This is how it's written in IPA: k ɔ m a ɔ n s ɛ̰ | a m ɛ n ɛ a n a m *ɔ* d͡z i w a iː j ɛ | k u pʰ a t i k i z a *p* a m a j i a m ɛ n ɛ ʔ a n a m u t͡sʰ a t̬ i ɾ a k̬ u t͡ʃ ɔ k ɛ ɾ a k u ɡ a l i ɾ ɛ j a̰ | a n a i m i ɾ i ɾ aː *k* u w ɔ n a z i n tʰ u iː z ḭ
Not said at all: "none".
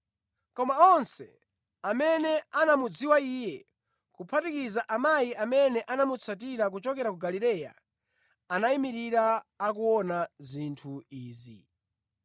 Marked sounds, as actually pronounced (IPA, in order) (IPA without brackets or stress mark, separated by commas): u, ʔ, k